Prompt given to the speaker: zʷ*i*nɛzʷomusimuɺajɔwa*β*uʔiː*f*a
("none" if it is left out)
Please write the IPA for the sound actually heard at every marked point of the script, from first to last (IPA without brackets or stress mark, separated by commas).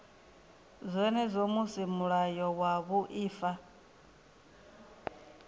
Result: ɛ, β, f